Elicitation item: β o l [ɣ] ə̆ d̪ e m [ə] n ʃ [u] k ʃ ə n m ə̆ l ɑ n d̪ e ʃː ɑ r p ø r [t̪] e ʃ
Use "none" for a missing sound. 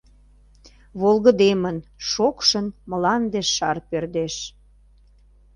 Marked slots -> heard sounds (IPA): ɣ, ə, o, d̪

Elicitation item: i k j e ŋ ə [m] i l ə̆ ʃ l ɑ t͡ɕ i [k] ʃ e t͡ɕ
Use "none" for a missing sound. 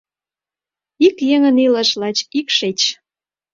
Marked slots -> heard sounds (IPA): n, k

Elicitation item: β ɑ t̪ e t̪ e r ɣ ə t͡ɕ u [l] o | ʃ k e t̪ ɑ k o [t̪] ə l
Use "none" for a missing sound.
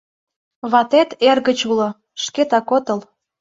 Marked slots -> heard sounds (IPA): l, t̪

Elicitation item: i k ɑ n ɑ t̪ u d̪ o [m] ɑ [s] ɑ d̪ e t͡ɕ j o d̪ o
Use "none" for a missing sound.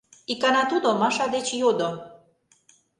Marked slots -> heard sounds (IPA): m, ʃ

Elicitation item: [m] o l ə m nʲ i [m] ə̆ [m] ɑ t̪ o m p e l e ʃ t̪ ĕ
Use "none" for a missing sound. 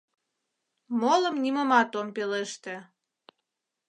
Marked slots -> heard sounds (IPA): m, m, m

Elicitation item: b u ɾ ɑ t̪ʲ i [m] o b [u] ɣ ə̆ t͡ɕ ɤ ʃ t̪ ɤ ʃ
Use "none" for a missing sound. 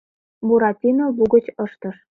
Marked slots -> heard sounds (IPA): n, u

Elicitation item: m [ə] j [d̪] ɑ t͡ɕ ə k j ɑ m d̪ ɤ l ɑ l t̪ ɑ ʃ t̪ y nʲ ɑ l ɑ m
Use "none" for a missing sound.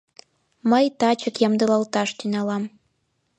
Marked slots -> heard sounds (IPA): ə, t̪

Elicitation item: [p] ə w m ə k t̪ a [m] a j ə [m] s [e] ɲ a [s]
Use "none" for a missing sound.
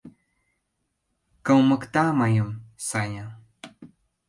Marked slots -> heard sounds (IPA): k, m, m, a, none

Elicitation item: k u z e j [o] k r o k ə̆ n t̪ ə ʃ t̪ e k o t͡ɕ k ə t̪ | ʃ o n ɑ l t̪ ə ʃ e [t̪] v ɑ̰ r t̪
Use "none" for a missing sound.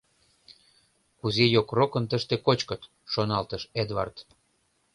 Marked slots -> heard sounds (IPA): o, d̪

